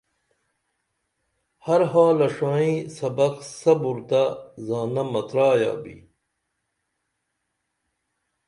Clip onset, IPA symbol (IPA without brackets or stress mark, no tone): h